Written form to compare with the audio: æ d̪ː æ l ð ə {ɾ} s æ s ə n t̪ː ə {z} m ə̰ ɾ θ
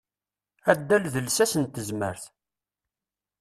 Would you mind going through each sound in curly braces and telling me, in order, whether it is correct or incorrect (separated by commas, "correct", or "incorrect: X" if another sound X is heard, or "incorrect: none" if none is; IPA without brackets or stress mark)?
incorrect: l, correct